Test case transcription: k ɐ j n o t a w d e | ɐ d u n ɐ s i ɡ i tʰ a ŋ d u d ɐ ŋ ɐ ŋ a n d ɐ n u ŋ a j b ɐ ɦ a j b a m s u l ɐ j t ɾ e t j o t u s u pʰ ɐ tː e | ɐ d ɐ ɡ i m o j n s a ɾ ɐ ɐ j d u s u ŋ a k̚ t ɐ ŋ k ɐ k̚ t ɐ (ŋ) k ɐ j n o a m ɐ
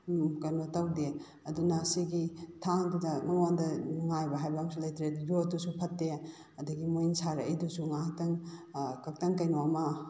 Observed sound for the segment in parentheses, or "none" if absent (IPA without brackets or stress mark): ŋ